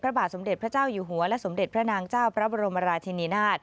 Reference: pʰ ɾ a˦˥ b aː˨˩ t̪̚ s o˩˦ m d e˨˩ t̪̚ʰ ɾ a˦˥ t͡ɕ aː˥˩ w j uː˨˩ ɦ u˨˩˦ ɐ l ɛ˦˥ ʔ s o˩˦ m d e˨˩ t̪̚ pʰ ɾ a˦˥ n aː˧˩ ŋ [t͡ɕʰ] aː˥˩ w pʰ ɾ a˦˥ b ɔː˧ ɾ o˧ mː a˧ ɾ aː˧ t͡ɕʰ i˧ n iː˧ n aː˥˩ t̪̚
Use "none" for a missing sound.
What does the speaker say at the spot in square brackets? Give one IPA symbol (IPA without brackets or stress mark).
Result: t͡ɕ